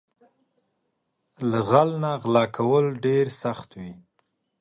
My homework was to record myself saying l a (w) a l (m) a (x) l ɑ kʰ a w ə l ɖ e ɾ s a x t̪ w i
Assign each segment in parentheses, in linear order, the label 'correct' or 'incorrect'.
incorrect: ɣ, incorrect: n, incorrect: ɣ

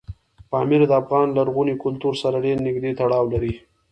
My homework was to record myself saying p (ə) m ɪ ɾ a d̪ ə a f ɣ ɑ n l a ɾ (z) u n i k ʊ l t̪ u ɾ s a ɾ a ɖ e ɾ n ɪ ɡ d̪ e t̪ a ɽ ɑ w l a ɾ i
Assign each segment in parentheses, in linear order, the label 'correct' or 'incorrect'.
incorrect: ɑ, incorrect: ɣ

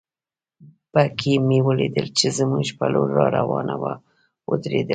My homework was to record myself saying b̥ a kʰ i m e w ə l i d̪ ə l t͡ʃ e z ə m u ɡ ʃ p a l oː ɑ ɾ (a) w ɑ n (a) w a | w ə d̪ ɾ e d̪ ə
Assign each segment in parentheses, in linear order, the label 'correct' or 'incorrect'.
correct, correct

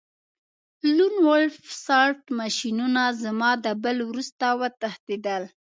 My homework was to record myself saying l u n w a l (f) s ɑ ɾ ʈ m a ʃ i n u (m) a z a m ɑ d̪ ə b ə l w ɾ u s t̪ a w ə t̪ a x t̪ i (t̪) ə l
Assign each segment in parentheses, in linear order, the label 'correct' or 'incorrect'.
correct, incorrect: n, incorrect: d̪

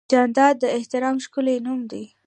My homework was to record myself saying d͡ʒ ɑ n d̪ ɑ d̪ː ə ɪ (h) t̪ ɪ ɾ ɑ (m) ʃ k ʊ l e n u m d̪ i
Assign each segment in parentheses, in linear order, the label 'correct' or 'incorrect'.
correct, correct

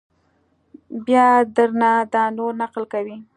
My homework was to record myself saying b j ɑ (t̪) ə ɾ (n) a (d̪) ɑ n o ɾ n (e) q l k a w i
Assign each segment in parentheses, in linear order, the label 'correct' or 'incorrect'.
incorrect: d̪, correct, correct, incorrect: a

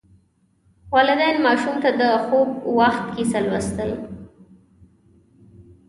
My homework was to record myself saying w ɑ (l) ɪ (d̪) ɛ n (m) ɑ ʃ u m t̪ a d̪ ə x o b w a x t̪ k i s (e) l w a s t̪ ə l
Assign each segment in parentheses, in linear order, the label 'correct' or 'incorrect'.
correct, correct, correct, incorrect: a

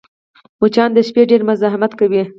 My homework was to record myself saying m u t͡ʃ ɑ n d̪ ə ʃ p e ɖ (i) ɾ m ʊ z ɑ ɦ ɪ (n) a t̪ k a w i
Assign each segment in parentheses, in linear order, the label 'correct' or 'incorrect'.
incorrect: e, incorrect: m

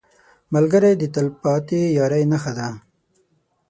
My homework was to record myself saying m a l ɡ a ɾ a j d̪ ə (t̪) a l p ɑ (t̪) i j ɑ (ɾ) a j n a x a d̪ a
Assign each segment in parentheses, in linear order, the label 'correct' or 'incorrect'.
correct, correct, correct

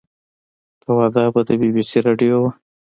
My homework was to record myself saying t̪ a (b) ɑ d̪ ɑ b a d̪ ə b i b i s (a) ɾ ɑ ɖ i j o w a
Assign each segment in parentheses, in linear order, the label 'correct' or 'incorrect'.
incorrect: w, incorrect: i

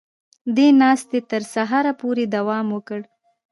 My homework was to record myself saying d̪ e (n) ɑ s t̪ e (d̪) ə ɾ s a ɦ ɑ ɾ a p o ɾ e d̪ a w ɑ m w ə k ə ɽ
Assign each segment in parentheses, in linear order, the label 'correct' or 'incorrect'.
correct, incorrect: t̪

